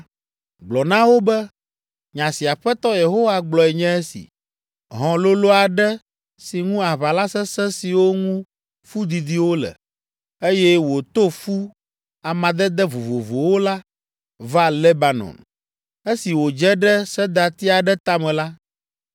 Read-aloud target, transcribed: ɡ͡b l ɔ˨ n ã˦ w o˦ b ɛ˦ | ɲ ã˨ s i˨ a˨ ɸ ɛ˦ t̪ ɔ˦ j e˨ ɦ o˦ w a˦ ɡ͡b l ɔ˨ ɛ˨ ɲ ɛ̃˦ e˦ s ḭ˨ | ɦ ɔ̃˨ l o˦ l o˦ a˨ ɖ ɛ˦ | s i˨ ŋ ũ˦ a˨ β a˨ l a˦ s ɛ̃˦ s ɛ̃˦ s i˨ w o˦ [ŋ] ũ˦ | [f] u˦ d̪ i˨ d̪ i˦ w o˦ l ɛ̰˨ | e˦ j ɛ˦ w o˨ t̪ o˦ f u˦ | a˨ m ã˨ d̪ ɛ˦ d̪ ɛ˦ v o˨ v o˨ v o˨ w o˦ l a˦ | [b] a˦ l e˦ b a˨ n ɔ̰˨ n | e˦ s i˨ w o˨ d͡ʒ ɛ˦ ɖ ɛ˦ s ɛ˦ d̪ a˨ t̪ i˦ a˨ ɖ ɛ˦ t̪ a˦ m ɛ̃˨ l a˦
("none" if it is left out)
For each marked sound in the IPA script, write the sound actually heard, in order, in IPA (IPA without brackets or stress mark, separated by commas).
ŋ, f, v